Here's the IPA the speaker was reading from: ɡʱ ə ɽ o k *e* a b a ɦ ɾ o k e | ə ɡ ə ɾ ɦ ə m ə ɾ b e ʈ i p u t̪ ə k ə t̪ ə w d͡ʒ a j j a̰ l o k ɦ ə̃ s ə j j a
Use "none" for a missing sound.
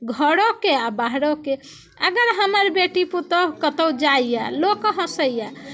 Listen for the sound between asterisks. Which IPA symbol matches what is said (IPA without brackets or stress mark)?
e